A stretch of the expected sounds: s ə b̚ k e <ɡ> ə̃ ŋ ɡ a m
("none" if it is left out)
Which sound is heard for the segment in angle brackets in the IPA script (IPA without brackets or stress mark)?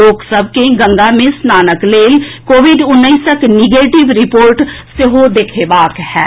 ɡ